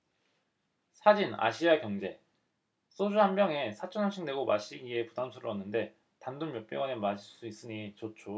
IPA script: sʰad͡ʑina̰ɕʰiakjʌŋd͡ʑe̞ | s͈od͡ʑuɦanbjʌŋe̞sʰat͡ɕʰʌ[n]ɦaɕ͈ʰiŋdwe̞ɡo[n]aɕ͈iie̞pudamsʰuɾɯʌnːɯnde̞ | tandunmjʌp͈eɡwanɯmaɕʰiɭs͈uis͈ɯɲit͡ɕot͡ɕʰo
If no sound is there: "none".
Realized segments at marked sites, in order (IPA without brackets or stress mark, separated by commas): n, m